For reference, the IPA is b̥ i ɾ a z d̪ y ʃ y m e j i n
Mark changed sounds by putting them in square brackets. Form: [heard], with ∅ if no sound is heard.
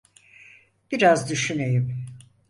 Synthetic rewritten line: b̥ i ɾ a z d̪ y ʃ y [n] e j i [m]